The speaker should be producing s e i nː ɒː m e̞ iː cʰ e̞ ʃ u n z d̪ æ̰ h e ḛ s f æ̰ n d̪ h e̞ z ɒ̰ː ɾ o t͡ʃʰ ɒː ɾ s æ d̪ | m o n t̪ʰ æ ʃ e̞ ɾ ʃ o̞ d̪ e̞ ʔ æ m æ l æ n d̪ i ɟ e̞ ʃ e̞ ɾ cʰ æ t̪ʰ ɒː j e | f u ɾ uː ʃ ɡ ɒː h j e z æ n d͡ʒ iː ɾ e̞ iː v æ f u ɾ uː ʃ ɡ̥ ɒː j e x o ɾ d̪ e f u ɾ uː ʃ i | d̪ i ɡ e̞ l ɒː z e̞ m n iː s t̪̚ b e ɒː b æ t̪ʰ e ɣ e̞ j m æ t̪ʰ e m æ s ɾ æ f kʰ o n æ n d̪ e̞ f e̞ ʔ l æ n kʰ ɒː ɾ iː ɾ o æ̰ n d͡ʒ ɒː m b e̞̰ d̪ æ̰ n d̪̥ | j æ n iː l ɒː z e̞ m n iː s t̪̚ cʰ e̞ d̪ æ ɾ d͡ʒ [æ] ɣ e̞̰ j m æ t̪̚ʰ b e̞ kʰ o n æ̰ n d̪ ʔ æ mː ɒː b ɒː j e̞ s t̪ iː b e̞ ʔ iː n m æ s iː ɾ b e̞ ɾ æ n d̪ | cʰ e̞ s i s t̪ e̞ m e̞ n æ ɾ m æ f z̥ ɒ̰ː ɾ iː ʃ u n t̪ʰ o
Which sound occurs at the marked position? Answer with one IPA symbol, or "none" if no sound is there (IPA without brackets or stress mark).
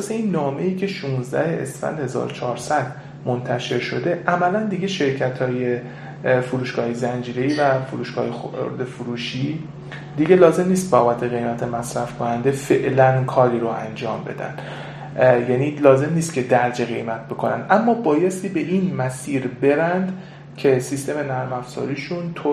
e